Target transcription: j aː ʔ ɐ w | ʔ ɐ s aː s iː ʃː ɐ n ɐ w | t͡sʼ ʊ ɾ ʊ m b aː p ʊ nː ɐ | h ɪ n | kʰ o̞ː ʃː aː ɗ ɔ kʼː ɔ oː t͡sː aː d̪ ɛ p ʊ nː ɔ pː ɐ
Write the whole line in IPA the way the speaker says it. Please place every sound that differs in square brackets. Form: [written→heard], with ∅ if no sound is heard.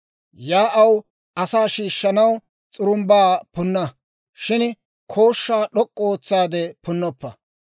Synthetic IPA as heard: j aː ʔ ɐ w | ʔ ɐ s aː [s→ʃ] iː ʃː ɐ n ɐ w | t͡sʼ ʊ ɾ ʊ m b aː p ʊ nː ɐ | [h→ʃ] ɪ n | kʰ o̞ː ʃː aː ɗ ɔ kʼː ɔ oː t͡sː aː d̪ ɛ p ʊ nː ɔ pː ɐ